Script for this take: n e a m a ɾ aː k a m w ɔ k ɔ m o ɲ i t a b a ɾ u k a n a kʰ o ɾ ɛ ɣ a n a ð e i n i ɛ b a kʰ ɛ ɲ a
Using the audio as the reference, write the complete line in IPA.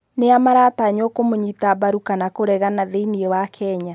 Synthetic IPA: n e a m a ɾ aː t a ɲ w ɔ k o m o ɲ i t a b a ɾ u k a n a k o ɾ ɛ ɣ a n a ð e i n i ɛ w a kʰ ɛ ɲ a